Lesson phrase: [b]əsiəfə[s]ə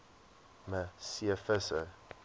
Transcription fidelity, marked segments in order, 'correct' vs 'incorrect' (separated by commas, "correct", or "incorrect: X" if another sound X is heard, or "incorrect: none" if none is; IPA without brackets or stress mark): incorrect: m, correct